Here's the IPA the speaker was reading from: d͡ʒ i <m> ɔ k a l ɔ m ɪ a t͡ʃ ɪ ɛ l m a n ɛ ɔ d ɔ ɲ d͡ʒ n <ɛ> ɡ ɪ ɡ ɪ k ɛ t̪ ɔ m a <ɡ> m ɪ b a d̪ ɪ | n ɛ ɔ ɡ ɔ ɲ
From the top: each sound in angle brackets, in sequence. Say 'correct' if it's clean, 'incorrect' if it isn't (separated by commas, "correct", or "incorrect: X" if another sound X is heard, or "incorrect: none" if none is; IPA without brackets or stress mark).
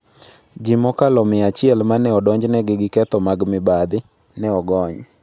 correct, correct, correct